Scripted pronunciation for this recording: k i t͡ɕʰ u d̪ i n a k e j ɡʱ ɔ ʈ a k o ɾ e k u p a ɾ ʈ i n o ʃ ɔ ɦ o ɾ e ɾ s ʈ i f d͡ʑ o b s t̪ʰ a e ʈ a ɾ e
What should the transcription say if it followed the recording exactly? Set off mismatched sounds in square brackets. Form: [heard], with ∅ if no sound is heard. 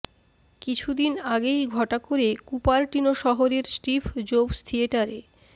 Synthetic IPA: k i t͡ɕʰ u d̪ i n a [ɡ] e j ɡʱ ɔ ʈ a k o ɾ e k u p a ɾ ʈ i n o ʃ ɔ ɦ o ɾ e ɾ s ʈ i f d͡ʑ o b s t̪ʰ [i] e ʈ a ɾ e